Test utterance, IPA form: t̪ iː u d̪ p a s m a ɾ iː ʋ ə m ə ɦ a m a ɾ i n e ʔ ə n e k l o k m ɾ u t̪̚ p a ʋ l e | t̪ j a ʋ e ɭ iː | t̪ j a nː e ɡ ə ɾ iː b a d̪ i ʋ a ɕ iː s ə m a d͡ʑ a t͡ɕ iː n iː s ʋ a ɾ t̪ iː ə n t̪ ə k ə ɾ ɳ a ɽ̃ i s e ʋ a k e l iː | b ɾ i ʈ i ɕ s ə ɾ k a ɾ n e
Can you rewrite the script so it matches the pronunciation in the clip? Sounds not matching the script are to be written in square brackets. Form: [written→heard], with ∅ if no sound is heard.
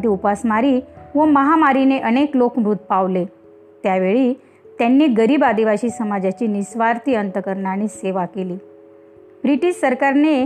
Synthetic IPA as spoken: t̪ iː u [d̪→∅] p a s m a ɾ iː ʋ ə m ə ɦ a m a ɾ i n e ʔ ə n e k l o k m ɾ u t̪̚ p a ʋ l e | t̪ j a ʋ e ɭ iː | t̪ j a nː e ɡ ə ɾ iː b a d̪ i ʋ a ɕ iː s ə m a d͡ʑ a t͡ɕ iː n [iː→i] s ʋ a ɾ t̪ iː ə n t̪ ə k ə ɾ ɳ a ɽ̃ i s e ʋ a k e l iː | b ɾ i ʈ i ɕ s ə ɾ k a ɾ n e